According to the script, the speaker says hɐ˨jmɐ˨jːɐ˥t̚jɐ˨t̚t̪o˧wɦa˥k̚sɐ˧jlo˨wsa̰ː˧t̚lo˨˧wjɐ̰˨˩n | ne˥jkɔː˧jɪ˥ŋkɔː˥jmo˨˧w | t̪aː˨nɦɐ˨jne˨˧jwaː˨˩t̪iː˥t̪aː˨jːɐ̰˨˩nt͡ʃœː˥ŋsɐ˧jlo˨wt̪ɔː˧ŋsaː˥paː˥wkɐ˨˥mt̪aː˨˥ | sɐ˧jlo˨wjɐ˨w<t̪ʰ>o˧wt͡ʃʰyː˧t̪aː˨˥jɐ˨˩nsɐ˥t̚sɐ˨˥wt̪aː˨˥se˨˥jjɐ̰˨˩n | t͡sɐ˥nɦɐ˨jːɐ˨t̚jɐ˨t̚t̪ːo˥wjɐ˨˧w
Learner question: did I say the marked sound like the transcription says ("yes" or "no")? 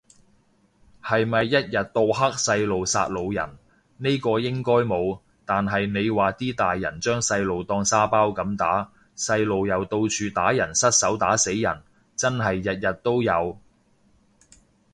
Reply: no